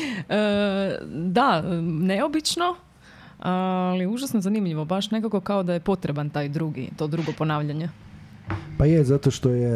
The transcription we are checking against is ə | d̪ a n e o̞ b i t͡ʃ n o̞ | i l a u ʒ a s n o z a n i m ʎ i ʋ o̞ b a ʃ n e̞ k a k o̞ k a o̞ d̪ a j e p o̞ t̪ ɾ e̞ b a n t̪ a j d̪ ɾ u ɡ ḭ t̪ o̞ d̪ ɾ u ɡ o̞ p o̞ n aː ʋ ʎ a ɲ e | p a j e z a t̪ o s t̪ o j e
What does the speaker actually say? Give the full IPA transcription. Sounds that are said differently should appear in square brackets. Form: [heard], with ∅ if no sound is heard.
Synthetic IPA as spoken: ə | d̪ a n e o̞ b i t͡ʃ n o̞ | [a] l [i] u ʒ a s n o z a n i m ʎ i ʋ o̞ b a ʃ n e̞ k a k o̞ k a o̞ d̪ a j e p o̞ t̪ ɾ e̞ b a n t̪ a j d̪ ɾ u ɡ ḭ t̪ o̞ d̪ ɾ u ɡ o̞ p o̞ n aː ʋ ʎ a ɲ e | p a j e z a t̪ o [ʃ] t̪ o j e